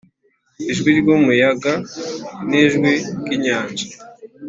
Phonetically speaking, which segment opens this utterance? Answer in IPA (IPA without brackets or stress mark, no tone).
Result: i